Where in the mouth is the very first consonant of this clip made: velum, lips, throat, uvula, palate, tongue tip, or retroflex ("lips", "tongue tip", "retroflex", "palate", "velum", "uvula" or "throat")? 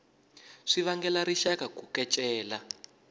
retroflex